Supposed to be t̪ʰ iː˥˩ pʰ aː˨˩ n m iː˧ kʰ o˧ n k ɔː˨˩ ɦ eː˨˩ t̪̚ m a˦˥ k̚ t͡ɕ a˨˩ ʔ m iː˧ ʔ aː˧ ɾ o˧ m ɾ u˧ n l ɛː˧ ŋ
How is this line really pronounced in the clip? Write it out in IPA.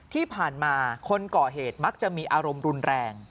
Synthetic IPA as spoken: t̪ʰ iː˥˩ pʰ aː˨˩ n m aː˧ kʰ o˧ n k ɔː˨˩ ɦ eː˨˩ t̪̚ m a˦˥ k̚ t͡ɕ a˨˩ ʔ m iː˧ ʔ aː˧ ɾ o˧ m ɾ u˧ n ɾ ɛː˧ ŋ